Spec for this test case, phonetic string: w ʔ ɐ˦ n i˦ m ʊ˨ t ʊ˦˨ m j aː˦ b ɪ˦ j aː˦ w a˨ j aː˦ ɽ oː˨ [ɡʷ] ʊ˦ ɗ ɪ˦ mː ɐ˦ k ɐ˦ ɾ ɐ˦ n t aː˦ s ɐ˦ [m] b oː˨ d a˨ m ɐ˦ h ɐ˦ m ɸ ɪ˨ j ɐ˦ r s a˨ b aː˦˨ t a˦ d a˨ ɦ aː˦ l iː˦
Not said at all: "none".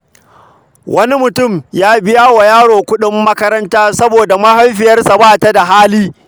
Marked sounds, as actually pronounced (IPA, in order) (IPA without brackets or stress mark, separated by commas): kʷ, none